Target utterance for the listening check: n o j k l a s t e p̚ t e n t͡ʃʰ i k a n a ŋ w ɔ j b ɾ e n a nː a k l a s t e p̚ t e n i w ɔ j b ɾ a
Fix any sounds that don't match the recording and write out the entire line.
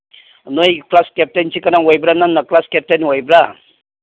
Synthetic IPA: n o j k l a s k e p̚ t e n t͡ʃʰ i k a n a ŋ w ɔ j b ɾ a n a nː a k l a s k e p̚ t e n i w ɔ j b ɾ a